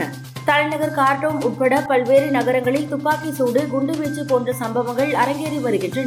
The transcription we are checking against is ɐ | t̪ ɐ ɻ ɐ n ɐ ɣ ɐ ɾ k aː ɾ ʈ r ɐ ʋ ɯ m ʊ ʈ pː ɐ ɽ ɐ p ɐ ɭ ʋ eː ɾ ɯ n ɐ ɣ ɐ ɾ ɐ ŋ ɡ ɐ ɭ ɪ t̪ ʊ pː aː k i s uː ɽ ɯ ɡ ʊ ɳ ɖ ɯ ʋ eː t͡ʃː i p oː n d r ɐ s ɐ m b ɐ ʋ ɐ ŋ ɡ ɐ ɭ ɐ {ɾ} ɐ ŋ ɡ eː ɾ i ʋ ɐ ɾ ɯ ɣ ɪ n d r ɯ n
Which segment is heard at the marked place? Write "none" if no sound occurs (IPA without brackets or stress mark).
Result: ɾ